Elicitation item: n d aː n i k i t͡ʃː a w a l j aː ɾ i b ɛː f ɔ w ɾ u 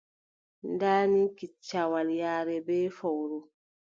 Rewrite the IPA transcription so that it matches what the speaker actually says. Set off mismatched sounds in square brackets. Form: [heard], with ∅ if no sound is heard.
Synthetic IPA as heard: n d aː n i k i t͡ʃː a w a l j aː ɾ [ɛ] b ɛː f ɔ w ɾ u

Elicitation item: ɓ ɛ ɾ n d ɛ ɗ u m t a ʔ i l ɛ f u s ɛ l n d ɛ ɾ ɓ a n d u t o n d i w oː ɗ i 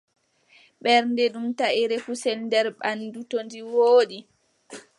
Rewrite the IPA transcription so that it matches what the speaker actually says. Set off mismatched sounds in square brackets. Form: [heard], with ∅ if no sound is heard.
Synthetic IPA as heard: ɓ ɛ ɾ n d ɛ ɗ u m t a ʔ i [ɾ] ɛ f u s ɛ l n d ɛ ɾ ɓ a n d u t o n d i w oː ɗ i

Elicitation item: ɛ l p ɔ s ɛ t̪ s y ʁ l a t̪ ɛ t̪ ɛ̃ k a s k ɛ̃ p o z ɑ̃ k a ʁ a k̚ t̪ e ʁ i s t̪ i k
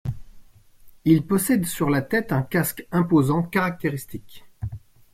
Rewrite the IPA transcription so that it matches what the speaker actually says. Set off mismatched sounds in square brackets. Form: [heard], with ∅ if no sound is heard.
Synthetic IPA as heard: [i] l p ɔ s ɛ [d̪] s y ʁ l a t̪ ɛ t̪ ɛ̃ k a s k ɛ̃ p o z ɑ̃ k a ʁ a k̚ t̪ e ʁ i s t̪ i k

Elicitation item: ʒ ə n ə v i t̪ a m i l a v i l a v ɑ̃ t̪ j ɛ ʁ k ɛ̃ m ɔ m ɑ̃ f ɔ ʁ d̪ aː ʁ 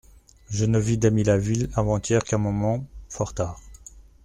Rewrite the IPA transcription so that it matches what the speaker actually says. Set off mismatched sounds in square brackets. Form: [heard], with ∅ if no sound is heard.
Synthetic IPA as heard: ʒ ə n ə v i [d̪] a m i l a v i l a v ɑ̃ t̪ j ɛ ʁ k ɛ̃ m ɔ m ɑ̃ f ɔ ʁ [t̪] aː ʁ

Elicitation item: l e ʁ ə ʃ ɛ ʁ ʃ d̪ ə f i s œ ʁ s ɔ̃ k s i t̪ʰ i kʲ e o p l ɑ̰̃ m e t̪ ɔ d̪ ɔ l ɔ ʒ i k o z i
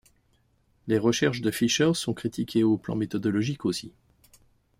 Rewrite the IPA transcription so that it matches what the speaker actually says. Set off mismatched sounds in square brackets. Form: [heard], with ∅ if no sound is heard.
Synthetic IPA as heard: l e ʁ ə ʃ ɛ ʁ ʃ d̪ ə f i [ʃ] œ ʁ s ɔ̃ k [χ] i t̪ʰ i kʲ e o p l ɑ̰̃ m e t̪ ɔ d̪ ɔ l ɔ ʒ i k o [s] i

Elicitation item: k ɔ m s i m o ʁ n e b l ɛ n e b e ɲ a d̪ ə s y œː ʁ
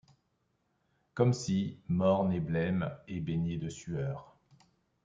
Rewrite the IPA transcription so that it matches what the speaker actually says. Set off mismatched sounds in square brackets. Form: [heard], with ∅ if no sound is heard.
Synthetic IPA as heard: k ɔ m s i m [ɔ] ʁ n e b l ɛ [m] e b e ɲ [e] d̪ ə s y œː ʁ

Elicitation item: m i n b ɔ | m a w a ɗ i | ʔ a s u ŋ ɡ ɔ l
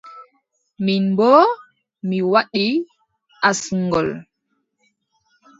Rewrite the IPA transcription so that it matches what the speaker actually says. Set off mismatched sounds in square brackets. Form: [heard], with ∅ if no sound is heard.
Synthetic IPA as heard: m i n b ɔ | m [i] w a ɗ i | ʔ a s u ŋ ɡ ɔ l

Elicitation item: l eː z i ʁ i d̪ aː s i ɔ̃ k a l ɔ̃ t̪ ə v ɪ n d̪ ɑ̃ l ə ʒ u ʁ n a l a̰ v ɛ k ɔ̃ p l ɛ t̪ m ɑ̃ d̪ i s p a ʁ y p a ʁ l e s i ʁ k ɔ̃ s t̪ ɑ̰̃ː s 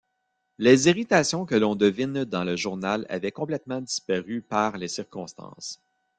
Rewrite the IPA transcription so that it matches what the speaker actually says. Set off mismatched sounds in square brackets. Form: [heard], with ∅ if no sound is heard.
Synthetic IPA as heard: l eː z i ʁ i [t̪] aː s [j] ɔ̃ k [ə] l ɔ̃ [d̪] ə v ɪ n d̪ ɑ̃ l ə ʒ u ʁ n a l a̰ v ɛ k ɔ̃ p l ɛ t̪ m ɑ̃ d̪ i s p a ʁ y p a ʁ l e s i ʁ k ɔ̃ s t̪ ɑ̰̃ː s

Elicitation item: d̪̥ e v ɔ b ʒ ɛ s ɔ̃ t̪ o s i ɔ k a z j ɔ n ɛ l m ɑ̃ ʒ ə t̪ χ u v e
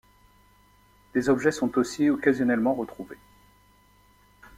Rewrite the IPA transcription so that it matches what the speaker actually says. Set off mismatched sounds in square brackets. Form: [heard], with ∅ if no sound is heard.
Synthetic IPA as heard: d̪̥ e [z] ɔ b ʒ ɛ s ɔ̃ t̪ o s i ɔ k a z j ɔ n ɛ l m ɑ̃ [ʁ] ə t̪ χ u v e

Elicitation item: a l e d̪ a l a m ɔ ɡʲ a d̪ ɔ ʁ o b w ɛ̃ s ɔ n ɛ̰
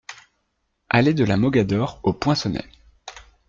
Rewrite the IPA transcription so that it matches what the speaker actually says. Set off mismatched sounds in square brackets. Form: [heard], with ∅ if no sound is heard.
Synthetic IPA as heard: a l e d̪ [ə] l a m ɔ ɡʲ a d̪ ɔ ʁ o [p] w ɛ̃ s ɔ n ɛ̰

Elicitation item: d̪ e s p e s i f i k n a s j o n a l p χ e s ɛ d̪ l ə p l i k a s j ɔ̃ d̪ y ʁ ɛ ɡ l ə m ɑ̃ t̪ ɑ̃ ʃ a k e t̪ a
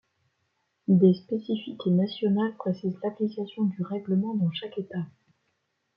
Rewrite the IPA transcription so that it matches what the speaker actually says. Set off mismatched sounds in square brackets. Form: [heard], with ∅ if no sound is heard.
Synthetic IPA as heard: d̪ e s p e s i f i k n a s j [ɔ] n a l p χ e s ɛ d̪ l [a] p l i k a s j ɔ̃ d̪ y ʁ ɛ ɡ l ə m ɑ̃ [d̪] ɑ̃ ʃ a k e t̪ a

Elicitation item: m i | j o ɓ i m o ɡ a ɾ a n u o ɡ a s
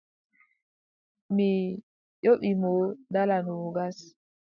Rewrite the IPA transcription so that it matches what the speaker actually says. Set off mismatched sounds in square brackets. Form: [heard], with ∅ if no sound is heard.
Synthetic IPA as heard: m i | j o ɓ i m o [d] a [l] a n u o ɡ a s

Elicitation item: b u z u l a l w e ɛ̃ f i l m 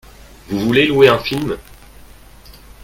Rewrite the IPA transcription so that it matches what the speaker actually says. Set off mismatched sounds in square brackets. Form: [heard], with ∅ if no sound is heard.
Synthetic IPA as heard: [v] u [v] u l [e] l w e ɛ̃ f i l m

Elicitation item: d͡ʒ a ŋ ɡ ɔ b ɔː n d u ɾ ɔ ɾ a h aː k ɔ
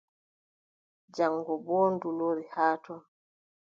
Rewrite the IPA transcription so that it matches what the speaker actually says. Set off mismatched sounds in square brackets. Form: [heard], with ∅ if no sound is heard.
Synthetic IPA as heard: d͡ʒ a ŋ ɡ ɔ b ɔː n d u [l] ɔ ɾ [i] h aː [t] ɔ

